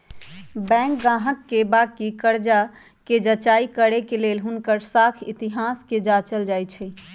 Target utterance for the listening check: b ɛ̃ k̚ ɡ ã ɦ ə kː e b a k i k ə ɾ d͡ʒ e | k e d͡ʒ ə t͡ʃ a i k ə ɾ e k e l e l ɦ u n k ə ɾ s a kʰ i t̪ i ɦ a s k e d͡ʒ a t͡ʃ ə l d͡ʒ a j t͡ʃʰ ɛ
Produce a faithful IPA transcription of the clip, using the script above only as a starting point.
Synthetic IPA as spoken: b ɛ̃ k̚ ɡ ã ɦ ə kː e b a k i k ə ɾ d͡ʒ a | k e d͡ʒ ə t͡ʃ a i k ə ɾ e k e l e l ɦ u n k ə ɾ s a kʰ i t̪ i ɦ a s k e d͡ʒ a t͡ʃ ə l d͡ʒ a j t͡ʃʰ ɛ